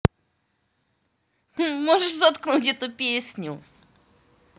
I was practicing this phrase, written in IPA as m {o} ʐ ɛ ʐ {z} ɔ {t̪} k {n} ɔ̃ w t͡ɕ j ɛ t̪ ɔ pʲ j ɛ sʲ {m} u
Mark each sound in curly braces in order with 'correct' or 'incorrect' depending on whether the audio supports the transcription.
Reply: incorrect: ɔ, correct, correct, correct, incorrect: ɲ

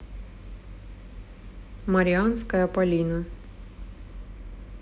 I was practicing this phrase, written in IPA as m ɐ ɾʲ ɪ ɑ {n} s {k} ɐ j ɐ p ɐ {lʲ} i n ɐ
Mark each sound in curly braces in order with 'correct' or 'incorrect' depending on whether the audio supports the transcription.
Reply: correct, correct, correct

